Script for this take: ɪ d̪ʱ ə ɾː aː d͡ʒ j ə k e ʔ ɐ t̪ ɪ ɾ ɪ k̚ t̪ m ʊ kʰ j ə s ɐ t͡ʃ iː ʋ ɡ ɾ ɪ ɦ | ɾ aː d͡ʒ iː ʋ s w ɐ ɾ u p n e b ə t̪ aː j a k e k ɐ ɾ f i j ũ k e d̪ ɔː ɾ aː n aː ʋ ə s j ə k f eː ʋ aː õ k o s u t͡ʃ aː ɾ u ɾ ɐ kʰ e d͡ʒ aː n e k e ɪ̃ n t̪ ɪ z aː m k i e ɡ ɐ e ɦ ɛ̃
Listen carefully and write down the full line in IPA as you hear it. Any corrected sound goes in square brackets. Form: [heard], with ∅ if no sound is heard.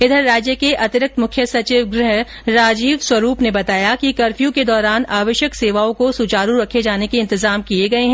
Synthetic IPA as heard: ɪ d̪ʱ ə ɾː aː d͡ʒ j ə k e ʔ ɐ t̪ ɪ ɾ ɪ k̚ t̪ m ʊ kʰ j ə s ɐ t͡ʃ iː ʋ ɡ ɾ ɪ ɦ | ɾ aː d͡ʒ iː ʋ s w ɐ ɾ [uː] p n e b [ɐ] t̪ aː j a k [i] k ɐ ɾ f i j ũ k e d̪ ɔː ɾ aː n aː ʋ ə [ʃ] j ə k [s] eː ʋ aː õ k o s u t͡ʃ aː ɾ u ɾ ɐ kʰ e d͡ʒ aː n e k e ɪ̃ n t̪ ɪ z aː m k i e ɡ ɐ e ɦ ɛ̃